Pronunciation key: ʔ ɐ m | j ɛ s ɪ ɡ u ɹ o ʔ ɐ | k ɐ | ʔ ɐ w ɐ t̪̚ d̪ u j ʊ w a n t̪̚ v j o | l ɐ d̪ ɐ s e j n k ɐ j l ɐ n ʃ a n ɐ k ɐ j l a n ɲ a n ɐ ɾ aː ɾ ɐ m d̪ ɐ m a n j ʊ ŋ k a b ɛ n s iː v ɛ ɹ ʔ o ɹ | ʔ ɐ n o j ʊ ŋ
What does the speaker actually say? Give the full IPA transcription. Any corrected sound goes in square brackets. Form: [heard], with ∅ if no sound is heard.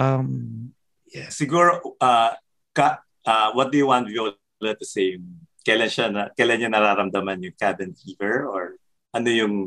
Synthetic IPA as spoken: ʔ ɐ m | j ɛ s ɪ ɡ u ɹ o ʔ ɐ | k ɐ | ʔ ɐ w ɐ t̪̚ d̪ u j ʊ w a n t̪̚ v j o | l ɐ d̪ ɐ s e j [m] k ɐ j l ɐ n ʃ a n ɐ k ɐ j l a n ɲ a n ɐ ɾ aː ɾ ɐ m d̪ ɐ m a n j ʊ ŋ k a b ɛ n [f] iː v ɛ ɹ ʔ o ɹ | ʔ ɐ n o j ʊ ŋ